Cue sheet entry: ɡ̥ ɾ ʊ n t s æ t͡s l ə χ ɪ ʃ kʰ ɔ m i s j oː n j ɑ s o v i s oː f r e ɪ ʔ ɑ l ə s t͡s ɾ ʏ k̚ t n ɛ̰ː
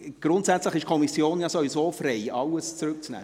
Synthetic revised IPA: ɡ̥ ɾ ʊ n t s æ t͡s l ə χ ɪ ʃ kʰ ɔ m i s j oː n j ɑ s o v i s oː f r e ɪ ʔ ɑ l ə s t͡s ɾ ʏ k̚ t͡s n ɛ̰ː